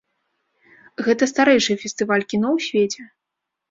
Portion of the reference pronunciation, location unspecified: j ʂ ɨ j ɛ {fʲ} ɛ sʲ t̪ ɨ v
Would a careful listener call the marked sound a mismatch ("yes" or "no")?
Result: no